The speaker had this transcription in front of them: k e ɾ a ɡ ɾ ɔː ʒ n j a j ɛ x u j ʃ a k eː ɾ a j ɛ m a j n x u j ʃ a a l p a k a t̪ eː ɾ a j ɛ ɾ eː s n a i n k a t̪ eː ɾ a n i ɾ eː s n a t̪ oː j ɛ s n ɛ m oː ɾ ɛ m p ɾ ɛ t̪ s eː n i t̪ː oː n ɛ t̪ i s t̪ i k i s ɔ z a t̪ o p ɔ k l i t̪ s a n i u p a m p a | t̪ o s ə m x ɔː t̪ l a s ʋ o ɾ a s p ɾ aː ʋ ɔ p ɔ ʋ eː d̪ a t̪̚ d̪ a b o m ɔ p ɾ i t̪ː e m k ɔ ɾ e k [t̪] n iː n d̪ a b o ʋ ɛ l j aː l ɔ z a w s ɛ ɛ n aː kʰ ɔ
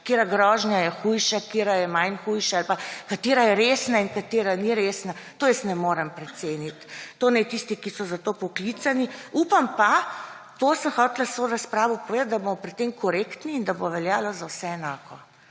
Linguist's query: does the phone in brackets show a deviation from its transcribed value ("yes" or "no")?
no